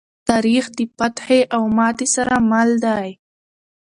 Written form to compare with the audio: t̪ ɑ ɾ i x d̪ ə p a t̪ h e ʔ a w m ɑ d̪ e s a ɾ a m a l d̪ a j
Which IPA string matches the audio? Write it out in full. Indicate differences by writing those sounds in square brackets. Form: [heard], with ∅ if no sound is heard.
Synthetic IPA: t̪ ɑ ɾ i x d̪ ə p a t̪ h e ʔ a w m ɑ [t̪] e s a ɾ a m a l d̪ a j